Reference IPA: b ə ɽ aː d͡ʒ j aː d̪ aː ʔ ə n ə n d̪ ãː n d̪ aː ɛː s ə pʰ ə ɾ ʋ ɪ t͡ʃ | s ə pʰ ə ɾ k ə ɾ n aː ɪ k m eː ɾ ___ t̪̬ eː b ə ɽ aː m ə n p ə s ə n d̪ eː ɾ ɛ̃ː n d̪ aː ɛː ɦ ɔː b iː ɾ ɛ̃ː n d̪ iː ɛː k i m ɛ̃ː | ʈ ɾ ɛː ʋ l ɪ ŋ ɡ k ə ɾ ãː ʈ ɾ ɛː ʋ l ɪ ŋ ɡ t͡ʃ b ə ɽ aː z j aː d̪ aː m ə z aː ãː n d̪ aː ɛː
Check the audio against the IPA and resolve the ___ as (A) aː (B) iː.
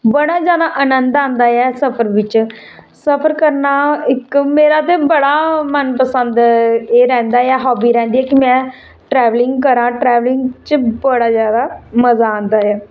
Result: A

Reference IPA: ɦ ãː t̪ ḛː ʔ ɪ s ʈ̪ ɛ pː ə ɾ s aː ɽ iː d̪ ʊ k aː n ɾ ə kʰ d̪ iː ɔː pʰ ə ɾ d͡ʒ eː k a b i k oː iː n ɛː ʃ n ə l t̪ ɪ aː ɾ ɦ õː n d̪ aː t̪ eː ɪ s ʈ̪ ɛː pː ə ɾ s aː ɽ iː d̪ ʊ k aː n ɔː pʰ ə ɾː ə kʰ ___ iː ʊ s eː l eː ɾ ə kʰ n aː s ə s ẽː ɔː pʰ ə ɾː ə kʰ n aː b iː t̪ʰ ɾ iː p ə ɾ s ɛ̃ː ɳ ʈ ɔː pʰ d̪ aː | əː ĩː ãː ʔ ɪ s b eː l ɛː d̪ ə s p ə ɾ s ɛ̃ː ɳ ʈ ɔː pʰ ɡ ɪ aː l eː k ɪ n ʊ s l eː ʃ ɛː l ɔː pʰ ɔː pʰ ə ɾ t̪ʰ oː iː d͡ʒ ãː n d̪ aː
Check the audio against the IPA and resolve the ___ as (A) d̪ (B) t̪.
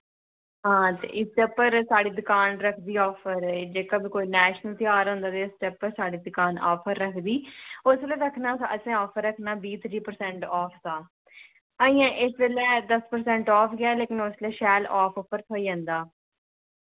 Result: A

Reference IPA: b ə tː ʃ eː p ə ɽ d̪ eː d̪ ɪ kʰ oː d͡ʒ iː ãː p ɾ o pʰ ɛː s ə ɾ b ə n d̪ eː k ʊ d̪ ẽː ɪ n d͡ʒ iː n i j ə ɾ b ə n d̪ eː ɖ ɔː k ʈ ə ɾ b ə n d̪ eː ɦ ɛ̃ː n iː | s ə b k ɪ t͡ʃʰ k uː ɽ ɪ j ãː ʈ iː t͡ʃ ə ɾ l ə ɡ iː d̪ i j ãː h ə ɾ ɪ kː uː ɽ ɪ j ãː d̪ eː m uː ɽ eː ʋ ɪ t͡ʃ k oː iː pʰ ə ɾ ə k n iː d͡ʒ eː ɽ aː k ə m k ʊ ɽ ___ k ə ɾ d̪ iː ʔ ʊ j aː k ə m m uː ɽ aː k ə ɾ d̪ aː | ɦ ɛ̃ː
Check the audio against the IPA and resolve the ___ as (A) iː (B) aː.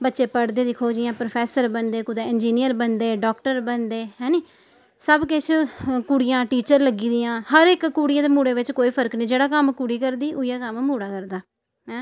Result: A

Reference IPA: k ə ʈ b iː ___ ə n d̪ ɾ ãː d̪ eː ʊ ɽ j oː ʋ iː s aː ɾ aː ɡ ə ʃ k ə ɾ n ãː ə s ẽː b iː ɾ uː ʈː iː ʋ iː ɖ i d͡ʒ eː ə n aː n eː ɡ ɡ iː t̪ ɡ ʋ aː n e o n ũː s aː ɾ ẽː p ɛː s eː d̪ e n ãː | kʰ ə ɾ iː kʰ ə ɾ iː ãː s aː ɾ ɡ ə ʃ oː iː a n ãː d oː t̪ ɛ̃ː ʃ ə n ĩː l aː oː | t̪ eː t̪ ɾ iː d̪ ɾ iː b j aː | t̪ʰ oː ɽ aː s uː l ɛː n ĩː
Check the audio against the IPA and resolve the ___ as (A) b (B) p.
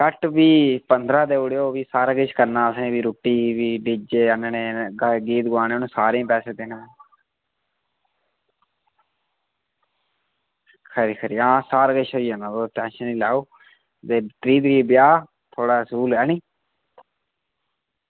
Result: B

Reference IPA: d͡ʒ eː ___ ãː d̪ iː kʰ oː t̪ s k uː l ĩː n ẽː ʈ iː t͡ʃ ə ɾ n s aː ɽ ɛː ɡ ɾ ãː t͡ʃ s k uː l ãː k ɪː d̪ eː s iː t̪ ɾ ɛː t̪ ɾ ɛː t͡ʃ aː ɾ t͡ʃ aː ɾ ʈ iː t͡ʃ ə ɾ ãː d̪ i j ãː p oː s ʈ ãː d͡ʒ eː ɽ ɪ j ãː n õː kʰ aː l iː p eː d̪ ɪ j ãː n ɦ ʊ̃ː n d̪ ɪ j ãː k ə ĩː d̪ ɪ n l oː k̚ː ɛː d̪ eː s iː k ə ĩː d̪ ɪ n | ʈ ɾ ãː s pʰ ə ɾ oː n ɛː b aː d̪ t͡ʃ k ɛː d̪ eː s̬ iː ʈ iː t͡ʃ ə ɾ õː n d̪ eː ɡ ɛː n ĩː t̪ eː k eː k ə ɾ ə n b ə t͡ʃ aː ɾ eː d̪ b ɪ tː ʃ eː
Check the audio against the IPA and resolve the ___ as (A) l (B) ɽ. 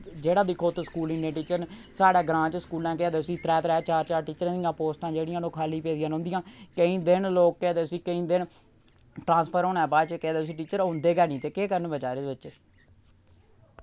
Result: B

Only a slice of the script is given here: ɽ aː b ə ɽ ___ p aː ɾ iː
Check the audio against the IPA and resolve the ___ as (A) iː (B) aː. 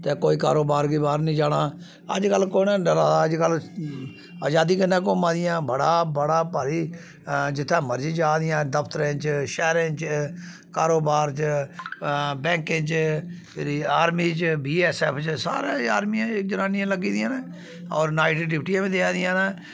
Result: B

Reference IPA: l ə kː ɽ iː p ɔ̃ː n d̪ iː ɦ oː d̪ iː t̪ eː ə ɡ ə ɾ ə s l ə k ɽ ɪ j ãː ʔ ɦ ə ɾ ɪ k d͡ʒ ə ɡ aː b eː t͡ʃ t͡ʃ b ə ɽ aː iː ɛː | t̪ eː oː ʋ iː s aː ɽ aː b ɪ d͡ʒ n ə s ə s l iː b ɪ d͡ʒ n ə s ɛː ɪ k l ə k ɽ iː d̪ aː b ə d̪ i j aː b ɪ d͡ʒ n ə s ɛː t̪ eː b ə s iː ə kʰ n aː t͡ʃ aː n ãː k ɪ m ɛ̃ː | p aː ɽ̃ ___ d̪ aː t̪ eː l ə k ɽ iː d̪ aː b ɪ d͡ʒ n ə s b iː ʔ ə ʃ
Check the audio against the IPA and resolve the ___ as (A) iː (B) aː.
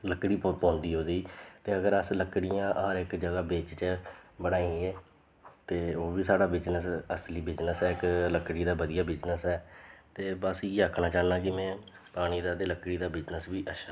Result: A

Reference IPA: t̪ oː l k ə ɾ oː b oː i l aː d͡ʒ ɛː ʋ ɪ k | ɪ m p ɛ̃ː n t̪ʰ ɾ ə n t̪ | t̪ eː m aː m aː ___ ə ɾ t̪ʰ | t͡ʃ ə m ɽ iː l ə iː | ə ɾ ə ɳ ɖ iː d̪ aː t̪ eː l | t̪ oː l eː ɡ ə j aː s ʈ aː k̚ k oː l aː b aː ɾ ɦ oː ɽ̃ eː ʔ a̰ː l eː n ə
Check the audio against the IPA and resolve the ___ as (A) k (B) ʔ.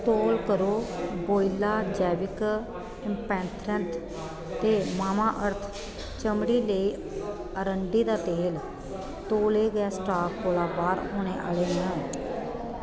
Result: B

